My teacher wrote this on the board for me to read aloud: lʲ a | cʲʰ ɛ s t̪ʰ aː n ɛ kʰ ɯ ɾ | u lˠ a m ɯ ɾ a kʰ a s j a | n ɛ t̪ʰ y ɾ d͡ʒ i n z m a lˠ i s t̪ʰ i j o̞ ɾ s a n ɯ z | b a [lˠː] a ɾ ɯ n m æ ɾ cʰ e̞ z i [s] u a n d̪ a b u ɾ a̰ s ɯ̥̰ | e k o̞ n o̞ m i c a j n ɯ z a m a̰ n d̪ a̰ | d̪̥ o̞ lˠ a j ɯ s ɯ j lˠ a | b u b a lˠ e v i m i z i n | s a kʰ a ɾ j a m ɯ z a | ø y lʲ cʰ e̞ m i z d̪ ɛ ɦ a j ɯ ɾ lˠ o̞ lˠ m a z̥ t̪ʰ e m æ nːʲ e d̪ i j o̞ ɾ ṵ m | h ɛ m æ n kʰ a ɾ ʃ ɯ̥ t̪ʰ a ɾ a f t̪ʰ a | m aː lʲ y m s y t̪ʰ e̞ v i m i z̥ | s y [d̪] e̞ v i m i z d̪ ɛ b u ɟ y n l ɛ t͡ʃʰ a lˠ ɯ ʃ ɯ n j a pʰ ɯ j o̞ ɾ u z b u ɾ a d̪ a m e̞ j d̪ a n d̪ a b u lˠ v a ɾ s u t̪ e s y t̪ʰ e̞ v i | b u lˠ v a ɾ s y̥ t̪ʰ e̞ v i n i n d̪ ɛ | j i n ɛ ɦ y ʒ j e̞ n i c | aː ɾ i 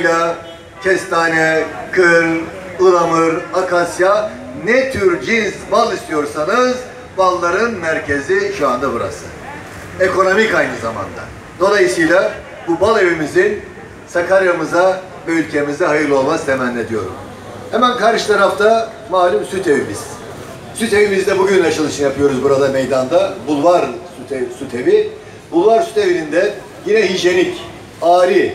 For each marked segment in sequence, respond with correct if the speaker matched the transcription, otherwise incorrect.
correct, incorrect: ʃ, incorrect: t̪

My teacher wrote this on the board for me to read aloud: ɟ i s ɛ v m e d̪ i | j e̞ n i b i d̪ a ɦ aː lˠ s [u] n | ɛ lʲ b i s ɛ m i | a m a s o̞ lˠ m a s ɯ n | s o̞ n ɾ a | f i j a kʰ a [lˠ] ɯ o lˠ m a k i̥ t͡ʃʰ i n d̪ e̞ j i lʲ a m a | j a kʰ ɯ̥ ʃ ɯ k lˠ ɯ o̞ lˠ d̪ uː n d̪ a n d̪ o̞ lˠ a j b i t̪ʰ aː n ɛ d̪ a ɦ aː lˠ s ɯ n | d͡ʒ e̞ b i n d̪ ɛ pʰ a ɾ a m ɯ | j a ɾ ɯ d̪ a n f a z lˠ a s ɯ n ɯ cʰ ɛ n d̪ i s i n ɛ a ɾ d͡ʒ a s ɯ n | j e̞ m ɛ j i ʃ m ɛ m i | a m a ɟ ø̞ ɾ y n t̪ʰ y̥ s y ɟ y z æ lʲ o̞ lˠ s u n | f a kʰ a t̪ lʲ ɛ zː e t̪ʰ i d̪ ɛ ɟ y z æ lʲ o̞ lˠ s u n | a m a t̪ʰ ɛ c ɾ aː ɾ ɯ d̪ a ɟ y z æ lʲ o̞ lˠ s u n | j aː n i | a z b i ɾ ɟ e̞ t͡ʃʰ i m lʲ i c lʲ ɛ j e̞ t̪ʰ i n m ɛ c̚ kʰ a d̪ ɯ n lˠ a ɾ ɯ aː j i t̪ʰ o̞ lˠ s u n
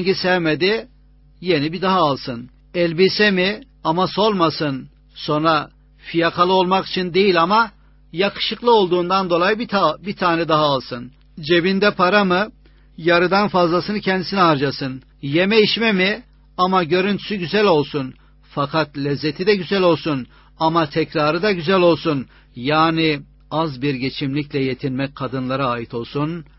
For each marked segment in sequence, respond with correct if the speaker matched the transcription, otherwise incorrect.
incorrect: ɯ, correct

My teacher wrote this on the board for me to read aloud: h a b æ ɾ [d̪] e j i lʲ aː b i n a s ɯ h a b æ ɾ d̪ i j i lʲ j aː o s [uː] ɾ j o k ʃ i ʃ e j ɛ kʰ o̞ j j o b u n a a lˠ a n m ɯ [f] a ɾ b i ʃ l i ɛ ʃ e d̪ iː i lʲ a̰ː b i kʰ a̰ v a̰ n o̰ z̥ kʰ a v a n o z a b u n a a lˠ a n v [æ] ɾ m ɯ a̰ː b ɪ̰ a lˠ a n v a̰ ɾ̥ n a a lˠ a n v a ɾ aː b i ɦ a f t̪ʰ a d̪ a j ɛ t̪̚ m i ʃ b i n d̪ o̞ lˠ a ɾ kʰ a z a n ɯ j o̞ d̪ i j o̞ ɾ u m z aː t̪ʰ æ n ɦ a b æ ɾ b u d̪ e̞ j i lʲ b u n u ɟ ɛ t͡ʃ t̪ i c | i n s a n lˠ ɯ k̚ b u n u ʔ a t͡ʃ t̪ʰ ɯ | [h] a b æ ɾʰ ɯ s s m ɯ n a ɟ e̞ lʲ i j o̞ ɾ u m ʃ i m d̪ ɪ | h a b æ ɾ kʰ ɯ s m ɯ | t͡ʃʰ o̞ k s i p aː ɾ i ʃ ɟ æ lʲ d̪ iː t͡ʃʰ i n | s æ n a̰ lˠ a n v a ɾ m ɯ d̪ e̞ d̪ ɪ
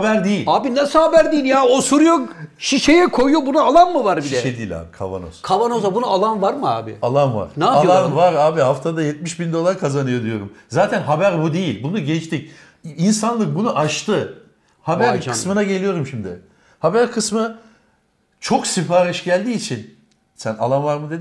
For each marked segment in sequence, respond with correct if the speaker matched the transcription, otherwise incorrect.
correct, incorrect: u, incorrect: v, incorrect: a, correct

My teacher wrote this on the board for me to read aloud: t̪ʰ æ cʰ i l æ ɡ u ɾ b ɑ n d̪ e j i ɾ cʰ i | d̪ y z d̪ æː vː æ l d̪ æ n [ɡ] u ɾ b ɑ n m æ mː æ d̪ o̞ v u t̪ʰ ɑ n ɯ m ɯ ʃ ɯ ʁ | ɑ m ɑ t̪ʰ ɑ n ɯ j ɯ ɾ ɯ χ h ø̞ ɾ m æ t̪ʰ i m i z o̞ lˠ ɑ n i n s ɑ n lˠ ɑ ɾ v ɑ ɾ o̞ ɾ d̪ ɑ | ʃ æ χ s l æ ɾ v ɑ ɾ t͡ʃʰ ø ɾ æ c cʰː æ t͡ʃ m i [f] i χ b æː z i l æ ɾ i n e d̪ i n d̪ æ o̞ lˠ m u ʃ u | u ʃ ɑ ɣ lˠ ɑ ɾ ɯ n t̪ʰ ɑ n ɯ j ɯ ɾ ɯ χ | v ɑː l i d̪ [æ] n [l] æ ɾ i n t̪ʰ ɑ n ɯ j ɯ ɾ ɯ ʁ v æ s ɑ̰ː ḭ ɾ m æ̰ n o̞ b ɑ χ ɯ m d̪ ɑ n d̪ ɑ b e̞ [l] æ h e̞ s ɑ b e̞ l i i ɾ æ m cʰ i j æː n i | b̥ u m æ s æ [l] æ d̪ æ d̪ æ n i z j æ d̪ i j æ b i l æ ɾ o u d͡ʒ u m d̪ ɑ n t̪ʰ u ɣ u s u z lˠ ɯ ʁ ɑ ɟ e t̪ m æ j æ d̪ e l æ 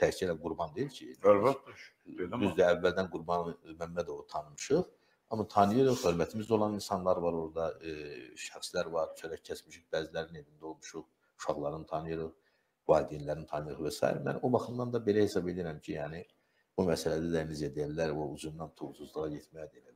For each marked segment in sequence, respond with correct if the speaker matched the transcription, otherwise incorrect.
correct, incorrect: ʃ, incorrect: i, correct, correct, correct

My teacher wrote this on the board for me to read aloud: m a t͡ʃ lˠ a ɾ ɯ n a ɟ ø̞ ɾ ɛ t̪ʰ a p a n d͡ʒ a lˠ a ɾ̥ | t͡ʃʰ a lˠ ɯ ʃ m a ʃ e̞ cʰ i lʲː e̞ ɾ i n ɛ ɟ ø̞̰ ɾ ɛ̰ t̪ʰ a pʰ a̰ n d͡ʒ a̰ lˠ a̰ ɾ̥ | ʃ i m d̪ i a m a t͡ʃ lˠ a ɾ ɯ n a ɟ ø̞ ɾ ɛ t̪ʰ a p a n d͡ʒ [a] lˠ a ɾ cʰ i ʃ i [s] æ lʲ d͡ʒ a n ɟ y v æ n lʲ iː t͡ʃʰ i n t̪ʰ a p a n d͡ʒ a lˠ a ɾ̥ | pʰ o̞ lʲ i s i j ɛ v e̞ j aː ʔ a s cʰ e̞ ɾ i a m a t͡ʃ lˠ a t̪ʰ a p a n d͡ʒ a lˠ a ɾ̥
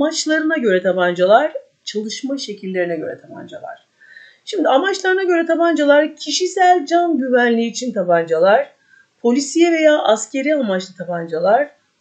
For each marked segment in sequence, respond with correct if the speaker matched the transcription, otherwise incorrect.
correct, correct

